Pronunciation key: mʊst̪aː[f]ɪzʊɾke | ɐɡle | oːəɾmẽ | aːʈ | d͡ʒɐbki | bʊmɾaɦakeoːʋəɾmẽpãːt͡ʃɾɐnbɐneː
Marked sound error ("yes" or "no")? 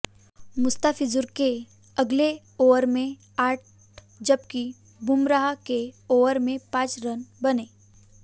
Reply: no